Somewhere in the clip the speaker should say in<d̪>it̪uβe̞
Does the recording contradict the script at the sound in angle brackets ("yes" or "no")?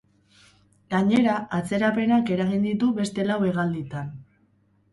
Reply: no